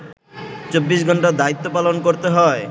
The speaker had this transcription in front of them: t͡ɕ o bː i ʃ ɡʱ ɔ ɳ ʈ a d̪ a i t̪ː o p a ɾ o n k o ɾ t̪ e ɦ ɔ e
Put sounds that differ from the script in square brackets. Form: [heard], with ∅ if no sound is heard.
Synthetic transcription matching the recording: t͡ɕ o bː i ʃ ɡʱ ɔ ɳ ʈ a d̪ a i t̪ː o p a [l] o n k o ɾ t̪ e ɦ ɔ e